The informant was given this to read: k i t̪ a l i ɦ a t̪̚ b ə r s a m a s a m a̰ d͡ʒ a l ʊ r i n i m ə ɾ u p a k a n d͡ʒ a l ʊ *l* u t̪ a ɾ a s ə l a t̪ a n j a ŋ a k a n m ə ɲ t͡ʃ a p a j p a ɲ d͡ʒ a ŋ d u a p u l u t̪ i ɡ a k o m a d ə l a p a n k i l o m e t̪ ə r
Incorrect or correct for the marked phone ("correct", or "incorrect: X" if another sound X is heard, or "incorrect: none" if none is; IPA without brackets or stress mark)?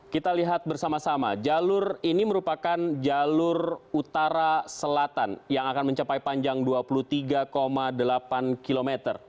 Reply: incorrect: r